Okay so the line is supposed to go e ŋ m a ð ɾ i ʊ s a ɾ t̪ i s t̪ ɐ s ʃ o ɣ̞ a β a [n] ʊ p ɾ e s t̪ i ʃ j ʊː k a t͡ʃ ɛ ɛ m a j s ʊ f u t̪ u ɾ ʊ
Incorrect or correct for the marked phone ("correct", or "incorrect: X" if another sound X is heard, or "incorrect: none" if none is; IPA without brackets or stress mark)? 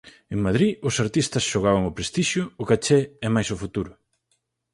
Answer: incorrect: ŋ